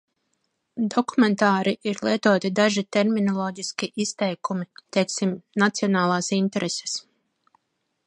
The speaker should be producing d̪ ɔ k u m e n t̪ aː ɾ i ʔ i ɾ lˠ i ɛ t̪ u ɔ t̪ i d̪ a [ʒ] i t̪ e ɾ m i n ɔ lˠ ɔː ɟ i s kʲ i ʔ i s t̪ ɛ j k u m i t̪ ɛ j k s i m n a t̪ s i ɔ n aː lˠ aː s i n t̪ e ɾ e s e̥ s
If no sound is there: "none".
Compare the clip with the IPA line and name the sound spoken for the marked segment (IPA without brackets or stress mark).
ʒ